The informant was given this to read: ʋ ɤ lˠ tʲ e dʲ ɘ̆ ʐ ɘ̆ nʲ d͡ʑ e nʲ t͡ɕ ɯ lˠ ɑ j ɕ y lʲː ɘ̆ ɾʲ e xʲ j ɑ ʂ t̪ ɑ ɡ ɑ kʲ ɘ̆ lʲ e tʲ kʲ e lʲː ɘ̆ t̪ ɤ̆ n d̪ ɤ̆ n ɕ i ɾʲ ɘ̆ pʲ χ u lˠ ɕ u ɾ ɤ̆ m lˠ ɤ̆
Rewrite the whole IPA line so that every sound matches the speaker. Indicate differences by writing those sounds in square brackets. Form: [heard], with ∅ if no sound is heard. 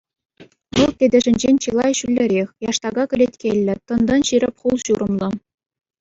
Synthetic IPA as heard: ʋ ɤ lˠ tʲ e dʲ ɘ̆ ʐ ɘ̆ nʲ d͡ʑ e nʲ t͡ɕ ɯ lˠ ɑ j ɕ y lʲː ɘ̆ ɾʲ e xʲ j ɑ ʂ t̪ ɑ ɡ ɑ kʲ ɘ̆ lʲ e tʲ kʲ e lʲː ɘ̆ t̪ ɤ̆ n d̪ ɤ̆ n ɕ i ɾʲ ɘ̆ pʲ χ u lˠ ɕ u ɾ ɤ̆ m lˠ ɤ̆

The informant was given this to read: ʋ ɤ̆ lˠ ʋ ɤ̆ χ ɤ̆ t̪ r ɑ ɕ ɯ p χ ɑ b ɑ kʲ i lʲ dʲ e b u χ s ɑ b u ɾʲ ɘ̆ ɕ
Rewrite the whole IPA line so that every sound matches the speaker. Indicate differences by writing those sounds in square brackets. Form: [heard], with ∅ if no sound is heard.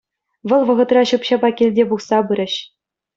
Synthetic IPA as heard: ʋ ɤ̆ lˠ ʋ ɤ̆ [ʁ] ɤ̆ t̪ r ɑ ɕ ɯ p [ɕ] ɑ b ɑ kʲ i lʲ dʲ e b u χ s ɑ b [ɯ] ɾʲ ɘ̆ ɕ

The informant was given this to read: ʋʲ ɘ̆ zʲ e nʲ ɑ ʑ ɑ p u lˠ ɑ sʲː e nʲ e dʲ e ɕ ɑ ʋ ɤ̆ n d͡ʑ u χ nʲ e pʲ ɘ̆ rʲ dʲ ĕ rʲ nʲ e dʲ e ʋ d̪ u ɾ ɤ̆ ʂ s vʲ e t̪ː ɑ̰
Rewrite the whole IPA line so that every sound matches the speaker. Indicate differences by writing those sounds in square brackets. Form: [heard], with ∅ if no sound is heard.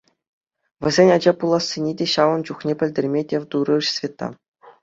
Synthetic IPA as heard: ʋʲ ɘ̆ zʲ e nʲ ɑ [d͡ʑ] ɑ p u lˠ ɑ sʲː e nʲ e dʲ e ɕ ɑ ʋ ɤ̆ n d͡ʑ u χ nʲ e pʲ ɘ̆ [lʲ] dʲ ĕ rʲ [mʲ] e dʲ e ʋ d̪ u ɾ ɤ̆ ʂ s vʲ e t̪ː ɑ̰

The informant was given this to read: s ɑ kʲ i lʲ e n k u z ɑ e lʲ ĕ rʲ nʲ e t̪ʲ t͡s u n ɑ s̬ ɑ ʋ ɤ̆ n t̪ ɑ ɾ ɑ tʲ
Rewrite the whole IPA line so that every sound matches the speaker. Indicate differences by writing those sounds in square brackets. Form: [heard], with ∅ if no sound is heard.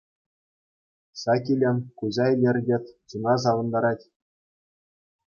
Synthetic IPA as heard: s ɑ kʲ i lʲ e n k u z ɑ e lʲ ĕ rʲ [dʲ] e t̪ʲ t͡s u n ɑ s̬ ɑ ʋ ɤ̆ n [d̪] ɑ ɾ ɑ tʲ

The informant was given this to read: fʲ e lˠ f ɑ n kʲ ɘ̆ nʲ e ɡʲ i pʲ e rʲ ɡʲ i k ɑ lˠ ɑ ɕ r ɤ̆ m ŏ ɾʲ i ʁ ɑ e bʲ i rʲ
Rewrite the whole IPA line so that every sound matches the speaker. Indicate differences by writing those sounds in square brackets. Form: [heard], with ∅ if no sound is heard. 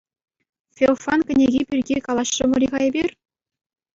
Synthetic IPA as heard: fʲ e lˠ f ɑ n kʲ ɘ̆ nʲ e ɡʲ i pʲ [i] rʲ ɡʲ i k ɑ lˠ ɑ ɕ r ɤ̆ m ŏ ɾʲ i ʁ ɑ e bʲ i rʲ

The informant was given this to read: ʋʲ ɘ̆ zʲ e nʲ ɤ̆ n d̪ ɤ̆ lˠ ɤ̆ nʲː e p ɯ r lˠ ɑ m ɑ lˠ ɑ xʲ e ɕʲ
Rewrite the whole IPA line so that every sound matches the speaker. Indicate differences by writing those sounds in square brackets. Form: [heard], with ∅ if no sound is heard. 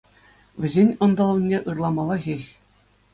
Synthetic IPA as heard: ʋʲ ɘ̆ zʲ e nʲ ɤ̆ n d̪ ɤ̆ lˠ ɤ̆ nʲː e [ʔ] ɯ r lˠ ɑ m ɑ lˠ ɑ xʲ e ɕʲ

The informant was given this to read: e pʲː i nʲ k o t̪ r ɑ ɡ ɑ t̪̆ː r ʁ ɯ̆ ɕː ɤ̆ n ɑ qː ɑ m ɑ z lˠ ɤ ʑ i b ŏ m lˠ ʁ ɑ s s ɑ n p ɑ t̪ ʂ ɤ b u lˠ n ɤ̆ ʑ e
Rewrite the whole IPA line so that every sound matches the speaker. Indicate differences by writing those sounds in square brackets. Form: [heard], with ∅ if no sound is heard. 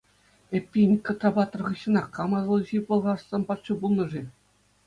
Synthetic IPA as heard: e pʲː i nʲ k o t̪ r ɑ [b] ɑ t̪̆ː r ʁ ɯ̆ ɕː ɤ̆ n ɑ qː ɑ m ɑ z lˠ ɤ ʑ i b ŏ [∅] lˠ ʁ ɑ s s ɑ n p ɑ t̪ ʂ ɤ b u lˠ n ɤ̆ [ʐ] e

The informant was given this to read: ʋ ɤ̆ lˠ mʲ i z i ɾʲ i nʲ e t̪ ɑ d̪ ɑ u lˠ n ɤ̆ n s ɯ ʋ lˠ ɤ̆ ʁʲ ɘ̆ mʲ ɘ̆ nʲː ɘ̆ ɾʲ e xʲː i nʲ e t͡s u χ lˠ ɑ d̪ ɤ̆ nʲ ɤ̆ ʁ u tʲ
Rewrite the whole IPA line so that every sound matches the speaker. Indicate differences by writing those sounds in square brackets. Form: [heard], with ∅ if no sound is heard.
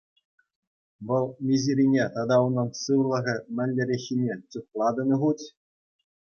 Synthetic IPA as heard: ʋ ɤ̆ lˠ mʲ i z i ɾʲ i nʲ e t̪ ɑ d̪ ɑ u [∅] n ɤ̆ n s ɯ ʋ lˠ ɤ̆ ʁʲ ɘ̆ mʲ ɘ̆ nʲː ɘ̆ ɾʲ e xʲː i nʲ e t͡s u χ lˠ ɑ d̪ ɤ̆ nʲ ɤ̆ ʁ u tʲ

